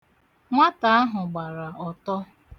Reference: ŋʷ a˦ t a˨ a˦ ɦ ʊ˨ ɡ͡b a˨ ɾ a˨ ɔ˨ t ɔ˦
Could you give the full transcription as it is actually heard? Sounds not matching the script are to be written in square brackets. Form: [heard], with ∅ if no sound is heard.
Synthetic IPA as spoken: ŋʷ a˦ t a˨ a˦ ɦ ʊ˨ ɡ͡b a˨ ɾ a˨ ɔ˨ t ɔ˦